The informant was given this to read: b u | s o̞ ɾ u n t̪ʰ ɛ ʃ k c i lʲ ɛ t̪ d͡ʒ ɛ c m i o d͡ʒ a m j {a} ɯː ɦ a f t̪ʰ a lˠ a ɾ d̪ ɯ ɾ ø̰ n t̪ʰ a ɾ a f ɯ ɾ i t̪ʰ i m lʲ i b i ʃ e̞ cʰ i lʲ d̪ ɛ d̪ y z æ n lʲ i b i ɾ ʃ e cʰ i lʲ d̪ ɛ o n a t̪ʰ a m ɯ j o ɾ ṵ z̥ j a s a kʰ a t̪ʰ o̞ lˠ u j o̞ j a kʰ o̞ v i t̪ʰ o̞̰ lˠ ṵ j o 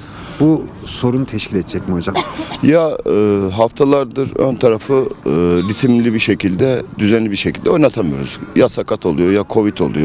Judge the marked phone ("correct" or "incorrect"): correct